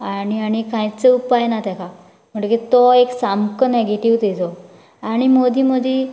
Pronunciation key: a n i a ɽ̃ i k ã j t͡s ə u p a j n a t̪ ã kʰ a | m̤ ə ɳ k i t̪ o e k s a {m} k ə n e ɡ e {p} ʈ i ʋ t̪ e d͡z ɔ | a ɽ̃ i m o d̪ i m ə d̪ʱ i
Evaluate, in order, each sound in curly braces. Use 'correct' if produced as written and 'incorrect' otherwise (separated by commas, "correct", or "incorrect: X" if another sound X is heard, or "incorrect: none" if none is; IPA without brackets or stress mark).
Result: correct, incorrect: none